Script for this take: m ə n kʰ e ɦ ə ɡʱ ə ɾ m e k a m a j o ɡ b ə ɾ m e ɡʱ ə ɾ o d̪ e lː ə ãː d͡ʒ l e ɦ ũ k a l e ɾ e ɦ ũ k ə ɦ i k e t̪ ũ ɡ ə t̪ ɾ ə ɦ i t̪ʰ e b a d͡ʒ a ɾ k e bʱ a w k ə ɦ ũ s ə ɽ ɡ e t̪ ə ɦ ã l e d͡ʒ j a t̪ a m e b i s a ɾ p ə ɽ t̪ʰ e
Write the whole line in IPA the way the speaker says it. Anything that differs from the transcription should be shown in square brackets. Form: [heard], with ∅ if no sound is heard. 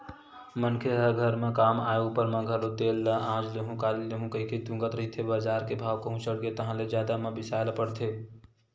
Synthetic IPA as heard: m ə n kʰ e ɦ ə ɡʱ ə ɾ m e k a m a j o ɡ [p] ə ɾ m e ɡʱ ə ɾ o d̪ e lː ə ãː d͡ʒ l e ɦ ũ k a l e [l] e ɦ ũ k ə ɦ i k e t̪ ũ ɡ ə t̪ ɾ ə ɦ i t̪ʰ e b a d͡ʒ a ɾ k e bʱ a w k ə ɦ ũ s ə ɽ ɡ e t̪ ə ɦ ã l e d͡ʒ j a [d̪] a m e b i s a [l] p ə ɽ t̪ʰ e